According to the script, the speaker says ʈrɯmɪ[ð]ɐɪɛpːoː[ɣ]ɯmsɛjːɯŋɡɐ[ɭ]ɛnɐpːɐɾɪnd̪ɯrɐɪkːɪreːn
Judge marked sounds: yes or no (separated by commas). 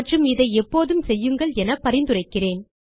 yes, no, yes